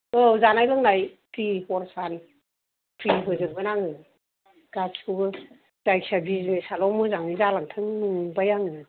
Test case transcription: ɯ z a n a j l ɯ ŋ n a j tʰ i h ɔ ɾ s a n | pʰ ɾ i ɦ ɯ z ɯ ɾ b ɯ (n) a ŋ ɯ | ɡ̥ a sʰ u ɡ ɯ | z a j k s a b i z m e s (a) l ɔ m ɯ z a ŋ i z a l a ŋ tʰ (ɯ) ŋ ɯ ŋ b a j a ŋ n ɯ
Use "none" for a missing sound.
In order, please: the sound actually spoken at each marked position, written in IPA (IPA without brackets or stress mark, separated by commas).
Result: n, a, ɯ